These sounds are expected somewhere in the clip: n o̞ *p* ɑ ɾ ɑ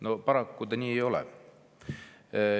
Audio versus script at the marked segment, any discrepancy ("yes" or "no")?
no